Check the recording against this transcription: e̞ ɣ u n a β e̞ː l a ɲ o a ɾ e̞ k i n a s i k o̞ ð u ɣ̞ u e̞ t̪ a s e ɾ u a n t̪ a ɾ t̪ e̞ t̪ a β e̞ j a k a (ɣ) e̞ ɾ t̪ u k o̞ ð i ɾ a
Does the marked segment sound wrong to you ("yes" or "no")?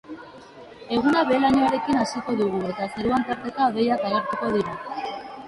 no